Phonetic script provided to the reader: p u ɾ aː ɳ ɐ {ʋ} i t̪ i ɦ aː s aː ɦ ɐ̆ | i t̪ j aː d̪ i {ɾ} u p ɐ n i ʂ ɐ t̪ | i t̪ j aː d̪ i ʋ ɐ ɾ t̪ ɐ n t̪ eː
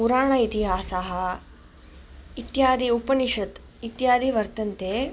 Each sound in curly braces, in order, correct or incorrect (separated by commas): incorrect, incorrect